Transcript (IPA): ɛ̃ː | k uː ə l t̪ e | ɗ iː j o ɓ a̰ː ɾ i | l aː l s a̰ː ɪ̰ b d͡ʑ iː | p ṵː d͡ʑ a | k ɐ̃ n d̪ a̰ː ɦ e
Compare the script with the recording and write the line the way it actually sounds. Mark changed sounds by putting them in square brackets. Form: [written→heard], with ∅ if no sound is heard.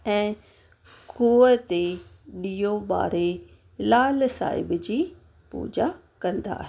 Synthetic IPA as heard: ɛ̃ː | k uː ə [l→∅] t̪ e | ɗ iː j o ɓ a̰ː ɾ [i→e] | l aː l s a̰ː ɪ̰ b d͡ʑ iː | p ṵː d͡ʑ a | k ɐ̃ n d̪ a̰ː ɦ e

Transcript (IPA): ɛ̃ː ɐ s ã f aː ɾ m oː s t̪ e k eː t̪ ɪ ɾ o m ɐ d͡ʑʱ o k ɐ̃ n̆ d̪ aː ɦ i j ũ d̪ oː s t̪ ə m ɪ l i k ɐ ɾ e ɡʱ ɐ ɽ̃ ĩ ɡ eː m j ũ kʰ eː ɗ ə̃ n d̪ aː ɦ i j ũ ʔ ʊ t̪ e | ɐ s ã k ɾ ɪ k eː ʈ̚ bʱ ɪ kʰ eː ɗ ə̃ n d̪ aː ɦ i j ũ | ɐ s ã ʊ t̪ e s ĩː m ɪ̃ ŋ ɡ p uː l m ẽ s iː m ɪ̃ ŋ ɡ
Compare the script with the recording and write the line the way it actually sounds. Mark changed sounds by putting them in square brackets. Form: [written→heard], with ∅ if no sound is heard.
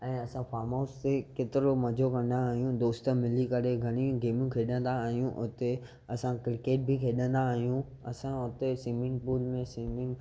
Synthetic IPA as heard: ɛ̃ː ɐ s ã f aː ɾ m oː s t̪ e k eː t̪ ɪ ɾ o m ɐ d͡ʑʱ o k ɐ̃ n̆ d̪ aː ɦ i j ũ d̪ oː s t̪ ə m ɪ l i k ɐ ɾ e ɡʱ ɐ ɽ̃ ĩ ɡ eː m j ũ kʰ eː ɗ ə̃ n d̪ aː ɦ i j ũ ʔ ʊ t̪ e | ɐ s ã k ɾ ɪ k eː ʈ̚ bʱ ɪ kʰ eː ɗ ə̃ n d̪ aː ɦ i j ũ | ɐ s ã ʊ t̪ e s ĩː m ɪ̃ ŋ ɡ p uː l m ẽ s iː m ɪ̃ ŋ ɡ

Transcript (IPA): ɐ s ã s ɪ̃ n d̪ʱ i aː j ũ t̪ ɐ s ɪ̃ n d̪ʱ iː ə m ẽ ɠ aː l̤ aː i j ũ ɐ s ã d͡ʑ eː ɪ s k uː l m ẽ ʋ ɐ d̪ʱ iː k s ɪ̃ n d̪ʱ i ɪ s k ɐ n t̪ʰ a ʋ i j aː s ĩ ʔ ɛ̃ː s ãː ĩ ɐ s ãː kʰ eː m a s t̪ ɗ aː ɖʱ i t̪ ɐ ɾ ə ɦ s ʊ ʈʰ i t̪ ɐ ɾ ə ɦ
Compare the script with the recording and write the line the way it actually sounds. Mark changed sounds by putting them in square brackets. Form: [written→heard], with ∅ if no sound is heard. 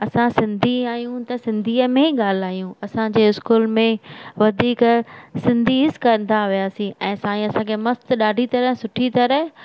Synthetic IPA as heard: ɐ s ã s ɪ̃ n d̪ʱ i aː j ũ t̪ ɐ s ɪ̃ n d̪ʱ iː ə m ẽ ɠ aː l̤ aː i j ũ ɐ s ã d͡ʑ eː ɪ s k uː l m ẽ ʋ ɐ d̪ʱ iː k s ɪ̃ n d̪ʱ i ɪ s k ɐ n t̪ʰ a ʋ i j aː s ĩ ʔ ɛ̃ː s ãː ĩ ɐ s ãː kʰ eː m [a→ɐ] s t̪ ɗ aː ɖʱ i t̪ ɐ ɾ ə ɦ s ʊ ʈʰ i t̪ ɐ ɾ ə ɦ

